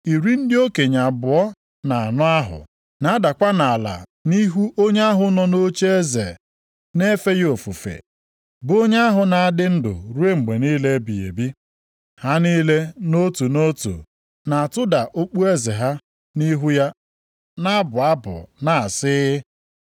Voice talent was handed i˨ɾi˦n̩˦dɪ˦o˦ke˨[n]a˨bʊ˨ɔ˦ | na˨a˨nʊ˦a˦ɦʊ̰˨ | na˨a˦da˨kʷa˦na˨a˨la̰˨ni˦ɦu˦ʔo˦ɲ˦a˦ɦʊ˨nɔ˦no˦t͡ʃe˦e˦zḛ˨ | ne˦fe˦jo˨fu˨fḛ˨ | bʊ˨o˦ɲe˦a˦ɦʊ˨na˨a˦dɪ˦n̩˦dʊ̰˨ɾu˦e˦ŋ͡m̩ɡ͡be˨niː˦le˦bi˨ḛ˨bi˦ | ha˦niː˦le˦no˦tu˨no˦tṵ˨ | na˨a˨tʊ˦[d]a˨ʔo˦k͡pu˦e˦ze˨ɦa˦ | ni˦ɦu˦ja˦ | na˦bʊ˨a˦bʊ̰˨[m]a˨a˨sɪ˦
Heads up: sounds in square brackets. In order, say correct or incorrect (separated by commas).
incorrect, correct, incorrect